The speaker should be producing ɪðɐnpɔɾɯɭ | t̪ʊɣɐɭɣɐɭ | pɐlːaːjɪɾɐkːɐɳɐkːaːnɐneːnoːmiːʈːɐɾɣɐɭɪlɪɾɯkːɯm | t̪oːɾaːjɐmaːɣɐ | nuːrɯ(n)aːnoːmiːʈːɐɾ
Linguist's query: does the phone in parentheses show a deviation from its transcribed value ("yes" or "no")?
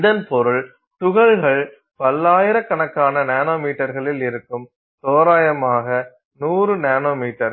no